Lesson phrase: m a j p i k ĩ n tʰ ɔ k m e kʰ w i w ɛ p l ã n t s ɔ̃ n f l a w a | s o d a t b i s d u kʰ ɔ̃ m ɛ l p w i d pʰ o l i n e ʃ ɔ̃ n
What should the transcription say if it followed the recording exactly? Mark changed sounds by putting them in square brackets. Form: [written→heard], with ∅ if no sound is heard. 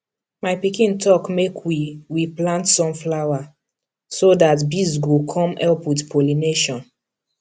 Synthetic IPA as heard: m a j p i k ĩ n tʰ ɔ k m e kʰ w i w [ɛ→i] p l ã n t s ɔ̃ [n→m] f l a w a | s o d a t b i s [d→ɡ] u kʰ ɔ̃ m ɛ l p w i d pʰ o l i n e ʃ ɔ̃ n